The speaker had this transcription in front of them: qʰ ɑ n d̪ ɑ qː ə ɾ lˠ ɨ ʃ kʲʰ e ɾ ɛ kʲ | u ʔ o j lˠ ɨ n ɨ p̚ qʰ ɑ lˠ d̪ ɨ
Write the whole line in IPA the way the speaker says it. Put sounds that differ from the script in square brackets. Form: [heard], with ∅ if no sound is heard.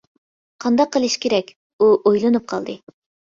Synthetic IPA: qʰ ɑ n d̪ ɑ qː ə [∅] lˠ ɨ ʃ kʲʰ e ɾ ɛ kʲ | u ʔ o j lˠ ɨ n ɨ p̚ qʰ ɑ lˠ d̪ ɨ